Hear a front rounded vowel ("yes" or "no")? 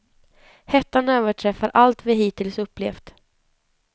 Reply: yes